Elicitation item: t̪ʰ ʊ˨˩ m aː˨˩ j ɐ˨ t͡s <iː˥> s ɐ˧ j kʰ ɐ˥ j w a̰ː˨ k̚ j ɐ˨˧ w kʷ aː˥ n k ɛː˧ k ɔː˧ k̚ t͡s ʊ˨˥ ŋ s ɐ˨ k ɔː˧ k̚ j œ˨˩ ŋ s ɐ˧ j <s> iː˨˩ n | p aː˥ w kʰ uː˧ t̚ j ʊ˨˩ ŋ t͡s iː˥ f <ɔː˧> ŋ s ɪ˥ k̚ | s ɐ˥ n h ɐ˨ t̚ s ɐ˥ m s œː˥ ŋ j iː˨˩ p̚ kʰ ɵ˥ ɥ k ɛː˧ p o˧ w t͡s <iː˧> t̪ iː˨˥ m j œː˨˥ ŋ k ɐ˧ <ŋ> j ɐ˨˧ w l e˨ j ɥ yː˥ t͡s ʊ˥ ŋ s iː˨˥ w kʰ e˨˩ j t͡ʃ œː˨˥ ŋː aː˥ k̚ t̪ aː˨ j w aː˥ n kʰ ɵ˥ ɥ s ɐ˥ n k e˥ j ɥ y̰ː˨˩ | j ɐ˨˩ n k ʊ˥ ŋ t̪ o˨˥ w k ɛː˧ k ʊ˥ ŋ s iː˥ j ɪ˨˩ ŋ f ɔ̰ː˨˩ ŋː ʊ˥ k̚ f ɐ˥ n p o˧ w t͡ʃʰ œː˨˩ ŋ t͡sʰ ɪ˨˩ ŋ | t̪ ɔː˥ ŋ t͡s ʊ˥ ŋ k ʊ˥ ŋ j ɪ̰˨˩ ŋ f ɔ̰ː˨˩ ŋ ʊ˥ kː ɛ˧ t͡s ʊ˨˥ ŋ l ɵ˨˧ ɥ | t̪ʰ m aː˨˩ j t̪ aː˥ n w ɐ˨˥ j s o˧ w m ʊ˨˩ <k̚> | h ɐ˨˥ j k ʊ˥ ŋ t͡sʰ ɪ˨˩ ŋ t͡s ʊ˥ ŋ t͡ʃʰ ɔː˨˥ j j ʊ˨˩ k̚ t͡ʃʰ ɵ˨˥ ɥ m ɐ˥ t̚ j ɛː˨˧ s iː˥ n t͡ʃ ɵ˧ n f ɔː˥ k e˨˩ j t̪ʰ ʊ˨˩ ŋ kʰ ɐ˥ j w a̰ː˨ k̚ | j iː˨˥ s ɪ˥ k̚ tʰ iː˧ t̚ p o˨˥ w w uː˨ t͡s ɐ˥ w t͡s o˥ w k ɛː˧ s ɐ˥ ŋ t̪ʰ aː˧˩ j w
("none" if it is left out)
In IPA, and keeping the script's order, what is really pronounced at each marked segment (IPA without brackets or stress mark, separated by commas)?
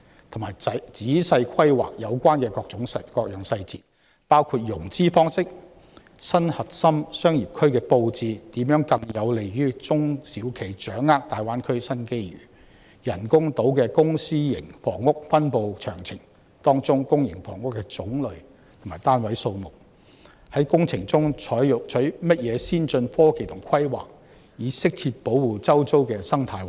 iː˨˥, t͡s, ɔː˥, iː˧, ŋ, k̚